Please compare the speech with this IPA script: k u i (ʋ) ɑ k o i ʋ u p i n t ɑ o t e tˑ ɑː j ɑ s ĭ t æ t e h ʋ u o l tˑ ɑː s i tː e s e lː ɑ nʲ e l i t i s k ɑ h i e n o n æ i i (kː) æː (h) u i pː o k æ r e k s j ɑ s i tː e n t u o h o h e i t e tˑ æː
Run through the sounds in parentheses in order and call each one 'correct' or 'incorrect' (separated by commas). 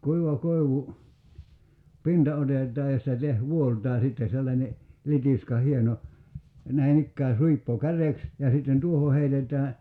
correct, correct, incorrect